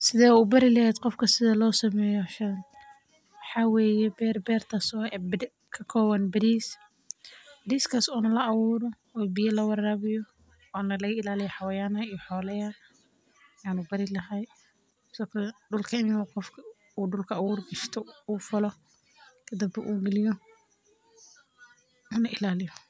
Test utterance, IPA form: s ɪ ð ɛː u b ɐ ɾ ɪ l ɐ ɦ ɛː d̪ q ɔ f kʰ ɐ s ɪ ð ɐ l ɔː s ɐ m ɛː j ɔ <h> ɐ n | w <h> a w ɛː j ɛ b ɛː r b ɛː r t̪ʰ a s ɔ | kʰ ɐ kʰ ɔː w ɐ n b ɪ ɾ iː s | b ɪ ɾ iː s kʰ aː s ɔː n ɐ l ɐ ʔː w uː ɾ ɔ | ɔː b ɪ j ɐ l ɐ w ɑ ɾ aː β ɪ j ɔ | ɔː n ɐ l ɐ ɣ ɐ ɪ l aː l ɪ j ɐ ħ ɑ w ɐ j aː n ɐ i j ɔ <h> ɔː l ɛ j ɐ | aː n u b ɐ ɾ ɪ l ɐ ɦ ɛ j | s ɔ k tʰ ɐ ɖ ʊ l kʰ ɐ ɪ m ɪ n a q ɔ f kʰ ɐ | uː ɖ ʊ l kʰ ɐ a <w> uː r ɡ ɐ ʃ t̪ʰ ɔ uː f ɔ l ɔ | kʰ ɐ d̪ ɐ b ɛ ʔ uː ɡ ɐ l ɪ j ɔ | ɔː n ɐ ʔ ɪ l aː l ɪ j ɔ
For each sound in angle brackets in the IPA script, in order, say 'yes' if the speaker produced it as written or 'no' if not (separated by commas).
no, no, no, yes